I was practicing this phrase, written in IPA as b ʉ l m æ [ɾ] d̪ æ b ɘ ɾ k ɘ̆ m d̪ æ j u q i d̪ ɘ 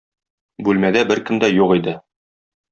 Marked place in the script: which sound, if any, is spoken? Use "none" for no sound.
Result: none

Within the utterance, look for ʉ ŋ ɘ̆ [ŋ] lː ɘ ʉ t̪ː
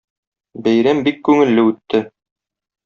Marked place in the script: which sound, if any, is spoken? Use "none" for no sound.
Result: none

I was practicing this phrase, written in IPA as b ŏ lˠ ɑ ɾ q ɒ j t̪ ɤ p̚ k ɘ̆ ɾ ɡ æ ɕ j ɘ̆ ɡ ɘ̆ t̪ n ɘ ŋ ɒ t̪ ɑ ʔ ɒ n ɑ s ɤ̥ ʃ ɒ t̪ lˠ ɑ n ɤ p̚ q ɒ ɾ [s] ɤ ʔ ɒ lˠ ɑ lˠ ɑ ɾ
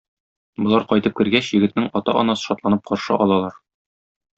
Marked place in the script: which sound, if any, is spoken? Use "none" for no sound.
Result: ʃ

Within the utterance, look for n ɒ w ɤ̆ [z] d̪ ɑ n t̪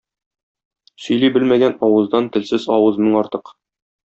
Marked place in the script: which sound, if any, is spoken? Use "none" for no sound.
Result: z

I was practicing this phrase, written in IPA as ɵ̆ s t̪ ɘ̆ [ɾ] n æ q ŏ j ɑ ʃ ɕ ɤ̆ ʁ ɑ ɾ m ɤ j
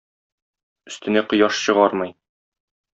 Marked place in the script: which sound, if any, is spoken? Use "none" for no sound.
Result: none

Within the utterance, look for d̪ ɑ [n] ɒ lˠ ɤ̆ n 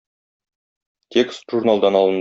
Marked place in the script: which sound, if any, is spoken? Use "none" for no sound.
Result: n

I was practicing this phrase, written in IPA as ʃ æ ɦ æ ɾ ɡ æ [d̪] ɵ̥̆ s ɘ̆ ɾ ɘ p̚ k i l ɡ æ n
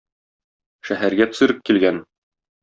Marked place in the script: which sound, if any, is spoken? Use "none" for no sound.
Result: t̪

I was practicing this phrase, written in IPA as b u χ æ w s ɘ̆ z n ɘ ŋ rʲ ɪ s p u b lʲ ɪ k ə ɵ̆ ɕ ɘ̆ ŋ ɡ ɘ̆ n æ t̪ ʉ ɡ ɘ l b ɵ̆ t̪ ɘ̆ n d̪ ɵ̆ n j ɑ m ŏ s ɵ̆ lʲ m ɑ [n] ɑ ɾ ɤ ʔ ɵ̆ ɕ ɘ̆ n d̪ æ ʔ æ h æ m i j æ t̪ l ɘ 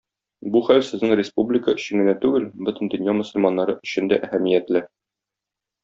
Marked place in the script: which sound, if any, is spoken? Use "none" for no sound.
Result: nː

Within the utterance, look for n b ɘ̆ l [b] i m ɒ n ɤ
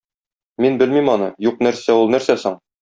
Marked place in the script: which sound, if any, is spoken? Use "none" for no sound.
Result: m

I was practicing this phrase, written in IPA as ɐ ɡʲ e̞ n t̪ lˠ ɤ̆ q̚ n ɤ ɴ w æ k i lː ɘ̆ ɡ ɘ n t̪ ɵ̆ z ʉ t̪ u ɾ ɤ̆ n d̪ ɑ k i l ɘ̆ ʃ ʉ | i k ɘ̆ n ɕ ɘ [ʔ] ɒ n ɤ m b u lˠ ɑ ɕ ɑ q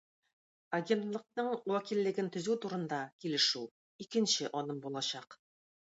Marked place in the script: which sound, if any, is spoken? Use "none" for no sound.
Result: ʔ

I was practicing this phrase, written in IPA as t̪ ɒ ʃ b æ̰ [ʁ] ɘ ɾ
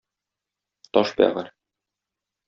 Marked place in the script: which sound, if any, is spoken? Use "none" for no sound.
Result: ʁ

